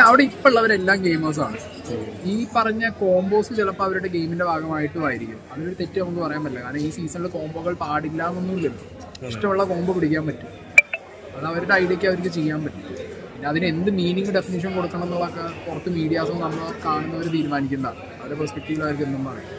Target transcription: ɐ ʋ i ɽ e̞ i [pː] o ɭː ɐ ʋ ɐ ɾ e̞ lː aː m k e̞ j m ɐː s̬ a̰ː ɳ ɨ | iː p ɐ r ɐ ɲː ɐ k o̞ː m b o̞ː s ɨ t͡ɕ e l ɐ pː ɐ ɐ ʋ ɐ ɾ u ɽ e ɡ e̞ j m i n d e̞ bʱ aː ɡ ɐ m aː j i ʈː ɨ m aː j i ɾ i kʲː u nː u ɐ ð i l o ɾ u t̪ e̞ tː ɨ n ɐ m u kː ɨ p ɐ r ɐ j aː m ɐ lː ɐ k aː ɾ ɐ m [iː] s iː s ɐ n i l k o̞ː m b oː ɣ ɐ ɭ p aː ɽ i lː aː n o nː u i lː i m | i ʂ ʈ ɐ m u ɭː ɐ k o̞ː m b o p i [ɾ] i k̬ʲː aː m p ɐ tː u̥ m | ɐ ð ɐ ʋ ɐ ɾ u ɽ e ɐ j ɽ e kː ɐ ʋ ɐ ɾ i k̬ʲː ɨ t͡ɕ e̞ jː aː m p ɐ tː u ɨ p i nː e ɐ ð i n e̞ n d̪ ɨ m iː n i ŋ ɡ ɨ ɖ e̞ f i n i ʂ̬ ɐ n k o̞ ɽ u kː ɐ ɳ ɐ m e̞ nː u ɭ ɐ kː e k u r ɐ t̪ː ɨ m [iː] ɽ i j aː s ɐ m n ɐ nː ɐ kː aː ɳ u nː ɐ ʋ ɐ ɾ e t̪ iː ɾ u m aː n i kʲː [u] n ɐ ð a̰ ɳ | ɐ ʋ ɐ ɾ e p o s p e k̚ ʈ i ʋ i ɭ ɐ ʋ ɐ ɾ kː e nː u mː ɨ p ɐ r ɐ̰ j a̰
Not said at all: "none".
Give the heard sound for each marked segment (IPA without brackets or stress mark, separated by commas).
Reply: pː, iː, ɽ, iː, u